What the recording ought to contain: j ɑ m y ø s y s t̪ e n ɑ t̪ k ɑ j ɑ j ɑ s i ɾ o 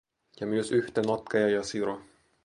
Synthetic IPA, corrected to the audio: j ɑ m y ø s y h t̪ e n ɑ t̪ k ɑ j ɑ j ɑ s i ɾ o